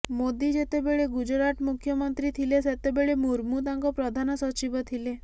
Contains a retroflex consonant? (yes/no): yes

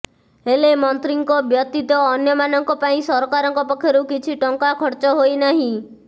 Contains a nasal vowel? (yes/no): yes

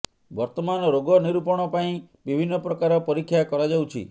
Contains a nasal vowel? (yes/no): yes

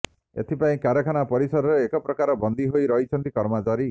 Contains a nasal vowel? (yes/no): yes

